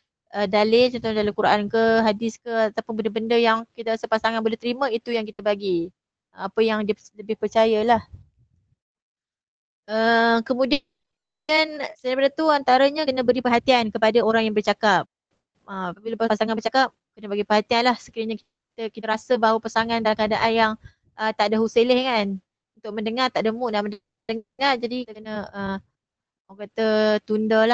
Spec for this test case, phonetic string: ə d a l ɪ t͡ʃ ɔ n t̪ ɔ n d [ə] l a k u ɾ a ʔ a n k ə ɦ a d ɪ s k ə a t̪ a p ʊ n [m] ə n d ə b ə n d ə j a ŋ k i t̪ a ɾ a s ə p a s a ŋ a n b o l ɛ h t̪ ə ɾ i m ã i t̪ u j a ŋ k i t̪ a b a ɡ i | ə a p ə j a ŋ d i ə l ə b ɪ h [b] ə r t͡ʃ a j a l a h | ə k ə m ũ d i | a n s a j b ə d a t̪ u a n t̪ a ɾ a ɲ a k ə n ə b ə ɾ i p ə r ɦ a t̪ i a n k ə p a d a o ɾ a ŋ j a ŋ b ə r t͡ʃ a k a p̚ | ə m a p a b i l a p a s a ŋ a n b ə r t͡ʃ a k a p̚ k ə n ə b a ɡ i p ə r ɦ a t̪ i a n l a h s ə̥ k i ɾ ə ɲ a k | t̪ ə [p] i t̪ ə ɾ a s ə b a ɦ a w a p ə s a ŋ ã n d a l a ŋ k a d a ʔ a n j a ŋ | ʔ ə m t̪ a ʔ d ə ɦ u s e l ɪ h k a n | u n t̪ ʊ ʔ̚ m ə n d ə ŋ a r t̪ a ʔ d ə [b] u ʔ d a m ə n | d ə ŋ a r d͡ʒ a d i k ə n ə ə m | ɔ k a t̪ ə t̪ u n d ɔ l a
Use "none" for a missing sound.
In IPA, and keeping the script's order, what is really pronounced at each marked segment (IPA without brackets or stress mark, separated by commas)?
a, b, p, k, m